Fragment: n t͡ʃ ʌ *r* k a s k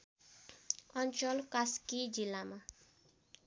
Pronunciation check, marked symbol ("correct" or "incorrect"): incorrect